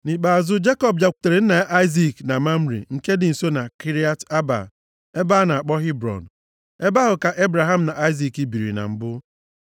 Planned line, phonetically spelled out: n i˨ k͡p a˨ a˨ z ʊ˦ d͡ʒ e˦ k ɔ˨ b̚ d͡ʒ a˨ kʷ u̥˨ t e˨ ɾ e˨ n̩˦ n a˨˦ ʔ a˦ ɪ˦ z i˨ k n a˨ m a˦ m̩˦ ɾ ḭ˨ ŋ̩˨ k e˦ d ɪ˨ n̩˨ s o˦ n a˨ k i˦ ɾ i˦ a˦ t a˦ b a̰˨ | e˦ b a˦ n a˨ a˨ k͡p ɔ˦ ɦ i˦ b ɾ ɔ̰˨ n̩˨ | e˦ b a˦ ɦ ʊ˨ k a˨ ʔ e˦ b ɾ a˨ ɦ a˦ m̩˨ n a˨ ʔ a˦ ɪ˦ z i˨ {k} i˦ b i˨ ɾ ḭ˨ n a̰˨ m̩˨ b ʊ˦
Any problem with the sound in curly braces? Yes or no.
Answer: no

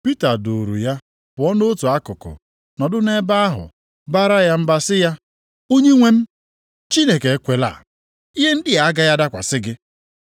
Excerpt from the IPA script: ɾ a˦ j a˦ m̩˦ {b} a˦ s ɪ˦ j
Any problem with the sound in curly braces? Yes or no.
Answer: no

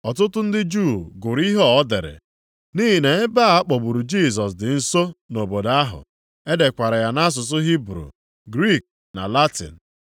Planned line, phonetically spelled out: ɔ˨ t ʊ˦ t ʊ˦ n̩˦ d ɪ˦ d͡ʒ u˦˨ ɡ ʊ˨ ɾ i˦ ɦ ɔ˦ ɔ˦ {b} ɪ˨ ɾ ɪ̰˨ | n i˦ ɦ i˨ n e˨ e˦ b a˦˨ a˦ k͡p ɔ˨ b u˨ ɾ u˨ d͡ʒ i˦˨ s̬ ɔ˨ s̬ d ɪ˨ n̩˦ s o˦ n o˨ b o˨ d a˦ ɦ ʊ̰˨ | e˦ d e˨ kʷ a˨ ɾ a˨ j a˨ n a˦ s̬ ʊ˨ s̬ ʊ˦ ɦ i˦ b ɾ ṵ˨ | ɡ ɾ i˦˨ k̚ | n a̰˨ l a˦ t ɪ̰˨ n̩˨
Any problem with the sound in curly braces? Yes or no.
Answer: yes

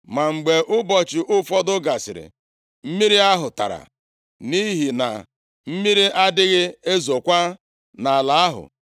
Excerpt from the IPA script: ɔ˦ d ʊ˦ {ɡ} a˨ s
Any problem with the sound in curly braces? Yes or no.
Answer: no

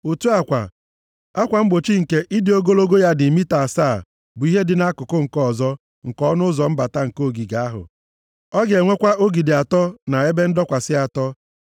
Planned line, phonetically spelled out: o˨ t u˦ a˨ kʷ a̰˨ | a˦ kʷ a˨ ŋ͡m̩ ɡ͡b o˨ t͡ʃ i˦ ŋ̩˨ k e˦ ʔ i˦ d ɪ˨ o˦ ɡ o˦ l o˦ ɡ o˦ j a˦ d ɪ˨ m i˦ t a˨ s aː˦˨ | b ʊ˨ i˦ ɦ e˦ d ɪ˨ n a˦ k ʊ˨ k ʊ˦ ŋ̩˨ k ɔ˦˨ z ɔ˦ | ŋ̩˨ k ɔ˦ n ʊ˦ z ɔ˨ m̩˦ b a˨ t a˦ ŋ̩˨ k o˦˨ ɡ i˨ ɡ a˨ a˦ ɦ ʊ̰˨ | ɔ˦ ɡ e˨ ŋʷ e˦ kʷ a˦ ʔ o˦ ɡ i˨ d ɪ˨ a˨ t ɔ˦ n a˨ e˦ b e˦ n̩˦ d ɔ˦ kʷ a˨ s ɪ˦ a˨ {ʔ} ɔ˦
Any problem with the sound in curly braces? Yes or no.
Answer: yes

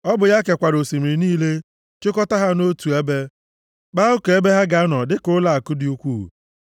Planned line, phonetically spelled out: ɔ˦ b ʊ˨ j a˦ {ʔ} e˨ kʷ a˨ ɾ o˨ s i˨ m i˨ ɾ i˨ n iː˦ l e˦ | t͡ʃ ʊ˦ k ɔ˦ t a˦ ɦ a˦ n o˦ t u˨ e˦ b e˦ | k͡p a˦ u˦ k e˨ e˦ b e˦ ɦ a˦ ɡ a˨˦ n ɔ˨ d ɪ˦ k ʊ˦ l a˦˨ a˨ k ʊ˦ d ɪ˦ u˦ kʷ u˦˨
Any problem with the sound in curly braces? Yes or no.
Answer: yes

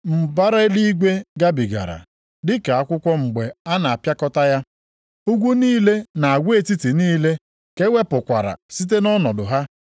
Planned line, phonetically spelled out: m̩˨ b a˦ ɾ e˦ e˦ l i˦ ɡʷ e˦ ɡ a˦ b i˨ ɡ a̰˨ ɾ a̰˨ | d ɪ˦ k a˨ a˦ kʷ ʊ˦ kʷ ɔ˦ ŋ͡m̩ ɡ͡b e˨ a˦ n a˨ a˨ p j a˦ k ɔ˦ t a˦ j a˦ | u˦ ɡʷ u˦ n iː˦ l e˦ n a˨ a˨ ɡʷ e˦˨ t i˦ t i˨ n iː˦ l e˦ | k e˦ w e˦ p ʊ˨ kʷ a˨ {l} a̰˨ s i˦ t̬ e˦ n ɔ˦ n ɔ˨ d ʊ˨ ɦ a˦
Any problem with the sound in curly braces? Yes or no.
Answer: yes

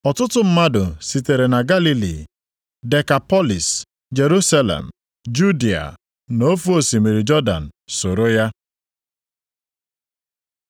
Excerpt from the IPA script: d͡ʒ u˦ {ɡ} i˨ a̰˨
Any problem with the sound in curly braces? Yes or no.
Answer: yes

